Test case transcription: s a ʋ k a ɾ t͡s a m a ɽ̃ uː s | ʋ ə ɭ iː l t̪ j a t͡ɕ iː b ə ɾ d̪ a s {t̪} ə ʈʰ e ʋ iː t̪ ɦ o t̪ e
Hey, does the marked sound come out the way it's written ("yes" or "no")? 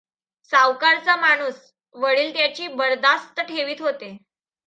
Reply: yes